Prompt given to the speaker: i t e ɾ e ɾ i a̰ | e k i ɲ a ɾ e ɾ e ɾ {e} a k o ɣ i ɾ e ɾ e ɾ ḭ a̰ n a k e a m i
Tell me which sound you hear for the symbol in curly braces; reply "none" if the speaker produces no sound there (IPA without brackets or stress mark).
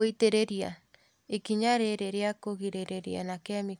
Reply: e